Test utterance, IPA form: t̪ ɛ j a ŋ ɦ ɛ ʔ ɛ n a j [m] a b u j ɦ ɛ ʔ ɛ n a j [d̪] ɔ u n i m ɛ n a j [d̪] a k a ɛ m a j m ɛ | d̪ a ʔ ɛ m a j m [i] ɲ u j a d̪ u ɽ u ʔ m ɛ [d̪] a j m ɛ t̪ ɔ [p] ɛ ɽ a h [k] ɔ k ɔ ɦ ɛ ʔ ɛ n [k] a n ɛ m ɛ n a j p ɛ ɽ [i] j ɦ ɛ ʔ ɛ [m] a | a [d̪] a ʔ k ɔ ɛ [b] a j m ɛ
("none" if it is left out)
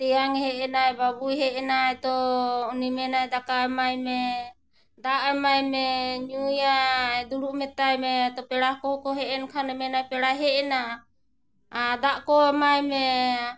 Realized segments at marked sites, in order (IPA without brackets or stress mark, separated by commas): b, t̪, d̪, ɛ, t̪, p, k, kʰ, a, n, d̪, m